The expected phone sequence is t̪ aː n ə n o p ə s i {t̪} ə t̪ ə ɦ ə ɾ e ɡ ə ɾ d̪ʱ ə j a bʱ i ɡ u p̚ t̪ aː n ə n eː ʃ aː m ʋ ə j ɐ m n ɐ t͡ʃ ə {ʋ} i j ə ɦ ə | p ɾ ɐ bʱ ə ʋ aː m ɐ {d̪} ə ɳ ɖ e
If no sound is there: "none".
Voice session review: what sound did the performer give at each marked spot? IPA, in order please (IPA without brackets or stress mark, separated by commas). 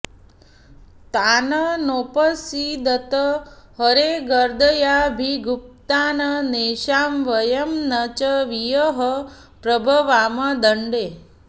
d̪, ʋ, d̪